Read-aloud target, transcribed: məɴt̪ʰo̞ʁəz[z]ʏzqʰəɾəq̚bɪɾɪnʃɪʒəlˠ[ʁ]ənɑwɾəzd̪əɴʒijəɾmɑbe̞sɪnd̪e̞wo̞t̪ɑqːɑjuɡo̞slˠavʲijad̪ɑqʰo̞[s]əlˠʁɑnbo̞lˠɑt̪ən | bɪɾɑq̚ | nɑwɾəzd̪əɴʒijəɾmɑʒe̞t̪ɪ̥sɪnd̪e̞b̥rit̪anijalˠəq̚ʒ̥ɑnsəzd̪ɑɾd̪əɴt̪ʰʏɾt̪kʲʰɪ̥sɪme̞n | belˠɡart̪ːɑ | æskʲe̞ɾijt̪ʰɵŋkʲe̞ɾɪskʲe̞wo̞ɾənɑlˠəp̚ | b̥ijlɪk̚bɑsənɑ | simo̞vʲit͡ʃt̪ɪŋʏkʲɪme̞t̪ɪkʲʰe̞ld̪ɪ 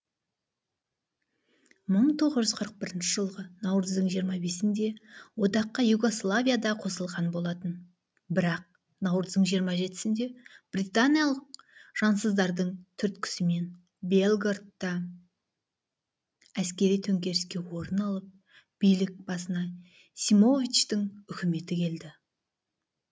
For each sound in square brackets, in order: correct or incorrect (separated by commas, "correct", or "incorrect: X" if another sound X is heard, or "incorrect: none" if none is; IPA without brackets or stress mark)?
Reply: incorrect: ʒ, correct, correct